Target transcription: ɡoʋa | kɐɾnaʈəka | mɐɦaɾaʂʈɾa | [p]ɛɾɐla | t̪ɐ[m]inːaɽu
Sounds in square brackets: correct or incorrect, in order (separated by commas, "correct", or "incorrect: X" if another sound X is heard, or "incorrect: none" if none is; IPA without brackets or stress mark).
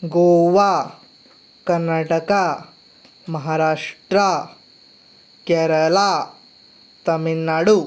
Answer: incorrect: k, correct